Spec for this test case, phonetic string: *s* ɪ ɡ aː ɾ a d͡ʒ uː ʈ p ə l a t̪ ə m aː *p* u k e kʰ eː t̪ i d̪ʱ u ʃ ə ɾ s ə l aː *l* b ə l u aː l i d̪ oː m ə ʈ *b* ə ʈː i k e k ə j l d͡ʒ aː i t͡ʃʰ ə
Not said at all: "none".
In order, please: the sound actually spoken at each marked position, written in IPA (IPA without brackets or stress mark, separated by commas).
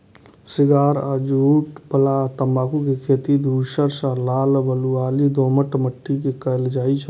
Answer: s, k, l, m